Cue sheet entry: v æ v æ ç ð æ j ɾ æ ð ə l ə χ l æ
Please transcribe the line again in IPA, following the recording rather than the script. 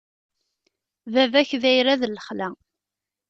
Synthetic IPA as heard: v æ v æ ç ð æ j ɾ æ ð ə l ə χ l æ